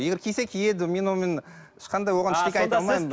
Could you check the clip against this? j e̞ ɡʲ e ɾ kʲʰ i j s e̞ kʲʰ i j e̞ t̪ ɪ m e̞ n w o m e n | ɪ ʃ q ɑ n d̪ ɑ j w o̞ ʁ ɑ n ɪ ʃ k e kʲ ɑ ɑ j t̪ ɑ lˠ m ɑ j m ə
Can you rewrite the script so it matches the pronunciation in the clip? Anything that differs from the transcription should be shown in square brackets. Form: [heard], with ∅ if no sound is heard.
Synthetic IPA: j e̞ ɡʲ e ɾ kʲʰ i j s e̞ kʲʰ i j e̞ [d̪] ɪ m e̞ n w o m e n | ɪ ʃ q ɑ n d̪ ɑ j w o̞ ʁ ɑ n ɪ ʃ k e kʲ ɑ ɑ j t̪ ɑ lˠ m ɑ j m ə